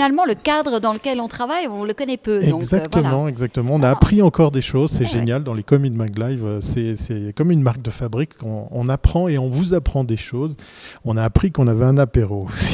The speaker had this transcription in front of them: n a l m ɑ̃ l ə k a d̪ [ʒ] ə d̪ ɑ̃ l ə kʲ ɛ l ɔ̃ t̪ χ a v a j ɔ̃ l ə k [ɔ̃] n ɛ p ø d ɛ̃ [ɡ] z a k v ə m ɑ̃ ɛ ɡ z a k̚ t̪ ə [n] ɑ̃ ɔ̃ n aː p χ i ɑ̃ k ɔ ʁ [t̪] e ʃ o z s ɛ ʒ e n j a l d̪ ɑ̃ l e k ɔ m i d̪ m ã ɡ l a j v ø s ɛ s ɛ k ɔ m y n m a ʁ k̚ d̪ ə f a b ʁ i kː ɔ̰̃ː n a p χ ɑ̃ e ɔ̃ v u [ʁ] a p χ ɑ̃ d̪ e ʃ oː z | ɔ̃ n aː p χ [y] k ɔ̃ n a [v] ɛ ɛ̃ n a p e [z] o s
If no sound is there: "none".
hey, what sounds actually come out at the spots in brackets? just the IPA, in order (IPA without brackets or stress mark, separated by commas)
ʁ, ɔ, ɡ, m, d̪, z, i, v, ʁ